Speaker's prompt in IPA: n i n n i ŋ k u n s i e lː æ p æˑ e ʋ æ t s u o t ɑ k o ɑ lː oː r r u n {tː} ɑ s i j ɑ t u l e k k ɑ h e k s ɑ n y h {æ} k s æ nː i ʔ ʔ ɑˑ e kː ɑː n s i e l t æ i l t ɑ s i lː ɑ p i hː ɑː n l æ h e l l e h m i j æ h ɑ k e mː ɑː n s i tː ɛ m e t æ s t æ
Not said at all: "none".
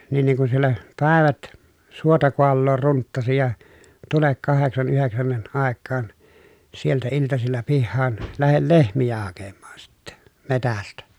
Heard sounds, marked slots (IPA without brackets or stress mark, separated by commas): tː, e